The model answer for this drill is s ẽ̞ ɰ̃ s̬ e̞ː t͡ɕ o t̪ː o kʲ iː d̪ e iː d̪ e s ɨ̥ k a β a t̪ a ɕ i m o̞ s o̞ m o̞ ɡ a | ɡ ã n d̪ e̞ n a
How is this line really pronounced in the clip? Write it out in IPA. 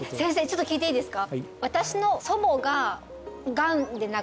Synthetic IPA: s ẽ̞ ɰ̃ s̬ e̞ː t͡ɕ o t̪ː o kʲ iː t̪ e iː d̪ e s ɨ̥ k a β a t̪ a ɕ i n o̞ s o̞ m o̞ ɡ a | ɡ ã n d̪ e̞ n a

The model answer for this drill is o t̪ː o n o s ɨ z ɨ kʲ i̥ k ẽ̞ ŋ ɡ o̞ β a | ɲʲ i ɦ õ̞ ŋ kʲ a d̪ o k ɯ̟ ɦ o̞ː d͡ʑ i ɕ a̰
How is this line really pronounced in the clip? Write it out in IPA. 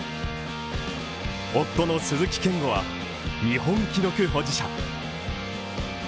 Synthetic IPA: o t̪ː o n o s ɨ z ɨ kʲ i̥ k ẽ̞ ŋ ɡ o̞ β a | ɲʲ i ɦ õ̞ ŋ kʲ i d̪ o k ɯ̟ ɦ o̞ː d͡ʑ i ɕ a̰

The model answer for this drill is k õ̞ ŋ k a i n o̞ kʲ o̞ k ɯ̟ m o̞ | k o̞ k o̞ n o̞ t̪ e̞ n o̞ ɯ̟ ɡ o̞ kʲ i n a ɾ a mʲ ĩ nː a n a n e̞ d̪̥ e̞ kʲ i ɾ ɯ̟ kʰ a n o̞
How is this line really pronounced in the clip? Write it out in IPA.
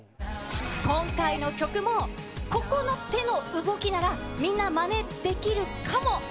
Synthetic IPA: k õ̞ ŋ k a i n o̞ kʲ o̞ k ɯ̟ m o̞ | k o̞ k o̞ n o̞ t̪ e̞ n o̞ ɯ̟ ɡ o̞ kʲ i n a ɾ a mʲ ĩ nː a m a n e̞ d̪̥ e̞ kʲ i ɾ ɯ̟ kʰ a m o̞

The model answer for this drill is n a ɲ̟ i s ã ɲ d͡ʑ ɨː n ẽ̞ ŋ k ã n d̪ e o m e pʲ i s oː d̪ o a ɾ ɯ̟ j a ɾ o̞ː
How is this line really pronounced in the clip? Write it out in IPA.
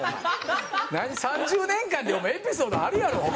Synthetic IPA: n a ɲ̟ i s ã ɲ d͡ʑ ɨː n ẽ̞ ŋ k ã n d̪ e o m e pʲ i s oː d̪ o a ɾ ɯ̟ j a ɾ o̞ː

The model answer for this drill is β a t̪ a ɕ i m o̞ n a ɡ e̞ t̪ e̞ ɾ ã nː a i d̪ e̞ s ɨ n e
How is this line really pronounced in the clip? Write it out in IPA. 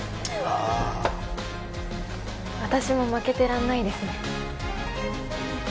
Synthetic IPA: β a t̪ a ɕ i m o̞ m a k e̞ t̪ e̞ ɾ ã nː a i d̪ e̞ s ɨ n e

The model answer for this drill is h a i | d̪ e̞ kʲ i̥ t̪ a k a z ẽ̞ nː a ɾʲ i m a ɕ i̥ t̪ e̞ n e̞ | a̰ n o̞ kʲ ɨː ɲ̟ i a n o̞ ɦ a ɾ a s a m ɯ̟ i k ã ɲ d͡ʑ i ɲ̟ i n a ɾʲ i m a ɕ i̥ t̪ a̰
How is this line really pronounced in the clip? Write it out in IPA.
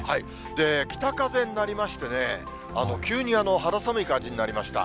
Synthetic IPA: h a i | d̪ e̞ kʲ i̥ t̪ a k a z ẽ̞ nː a ɾʲ i m a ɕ i̥ t̪ e̞ n e̞ | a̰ n o̞ kʲ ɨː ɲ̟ i a n o̞ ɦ a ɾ a s a m ɯ̟ i k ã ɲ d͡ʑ i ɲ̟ i n a ɾʲ i m a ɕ i̥ t̪ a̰

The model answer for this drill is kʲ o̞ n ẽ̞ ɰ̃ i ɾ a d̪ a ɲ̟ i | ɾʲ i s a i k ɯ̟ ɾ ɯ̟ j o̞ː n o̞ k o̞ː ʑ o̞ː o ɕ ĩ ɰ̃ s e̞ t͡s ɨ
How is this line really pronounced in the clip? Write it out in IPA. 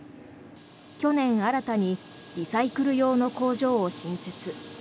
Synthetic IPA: kʲ o̞ n ẽ̞ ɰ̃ a ɾ a t̪ a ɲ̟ i | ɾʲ i s a i k ɯ̟ ɾ ɯ̟ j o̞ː n o̞ k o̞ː ʑ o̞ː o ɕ ĩ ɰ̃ s e̞ t͡s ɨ

